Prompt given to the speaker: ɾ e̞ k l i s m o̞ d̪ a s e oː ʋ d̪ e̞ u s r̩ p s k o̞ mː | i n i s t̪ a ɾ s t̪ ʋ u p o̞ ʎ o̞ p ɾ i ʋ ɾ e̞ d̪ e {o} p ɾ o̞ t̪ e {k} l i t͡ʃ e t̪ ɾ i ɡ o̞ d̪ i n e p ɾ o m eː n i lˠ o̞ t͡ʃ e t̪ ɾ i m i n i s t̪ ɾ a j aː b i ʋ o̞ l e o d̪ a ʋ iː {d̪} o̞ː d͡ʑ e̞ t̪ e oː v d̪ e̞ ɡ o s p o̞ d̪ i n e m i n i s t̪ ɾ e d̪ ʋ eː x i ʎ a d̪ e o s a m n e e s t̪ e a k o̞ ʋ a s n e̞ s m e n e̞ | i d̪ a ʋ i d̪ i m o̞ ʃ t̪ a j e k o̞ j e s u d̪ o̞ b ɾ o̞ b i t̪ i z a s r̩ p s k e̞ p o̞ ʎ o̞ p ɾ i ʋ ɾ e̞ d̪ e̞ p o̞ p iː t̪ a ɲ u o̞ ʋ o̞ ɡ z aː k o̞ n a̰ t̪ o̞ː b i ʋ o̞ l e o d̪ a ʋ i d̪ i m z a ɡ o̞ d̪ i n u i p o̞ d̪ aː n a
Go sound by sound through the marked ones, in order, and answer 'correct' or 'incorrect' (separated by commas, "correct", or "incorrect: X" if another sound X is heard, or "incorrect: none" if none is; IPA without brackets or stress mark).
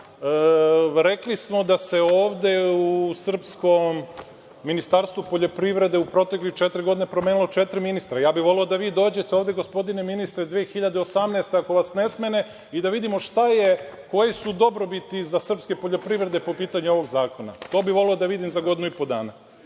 incorrect: u, correct, correct